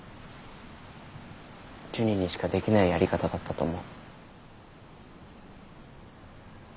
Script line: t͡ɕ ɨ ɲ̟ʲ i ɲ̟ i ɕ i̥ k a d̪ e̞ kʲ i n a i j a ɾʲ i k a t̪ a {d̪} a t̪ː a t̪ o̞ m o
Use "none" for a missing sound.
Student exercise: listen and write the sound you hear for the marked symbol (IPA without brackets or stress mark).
d̪